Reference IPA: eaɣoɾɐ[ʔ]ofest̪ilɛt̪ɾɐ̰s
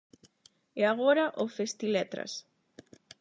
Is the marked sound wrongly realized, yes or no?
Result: no